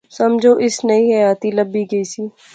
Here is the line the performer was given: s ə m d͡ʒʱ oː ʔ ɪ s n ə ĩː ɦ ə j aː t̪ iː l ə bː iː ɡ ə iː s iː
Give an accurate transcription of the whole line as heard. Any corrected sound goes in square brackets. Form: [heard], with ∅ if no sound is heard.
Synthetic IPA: s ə m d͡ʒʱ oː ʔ ɪ s n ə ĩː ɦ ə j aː t̪ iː l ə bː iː ɡ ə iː s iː